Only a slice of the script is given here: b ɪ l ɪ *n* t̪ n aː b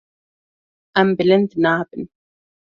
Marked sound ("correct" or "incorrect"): correct